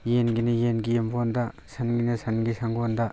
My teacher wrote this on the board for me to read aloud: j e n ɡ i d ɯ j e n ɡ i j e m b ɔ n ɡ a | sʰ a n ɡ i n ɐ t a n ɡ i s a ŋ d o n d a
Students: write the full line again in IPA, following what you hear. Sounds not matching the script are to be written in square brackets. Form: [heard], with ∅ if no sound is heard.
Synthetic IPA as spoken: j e n ɡ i [n] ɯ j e n ɡ i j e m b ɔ n [d] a | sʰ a n ɡ i n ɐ [s] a n ɡ i s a ŋ [ɡ] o n d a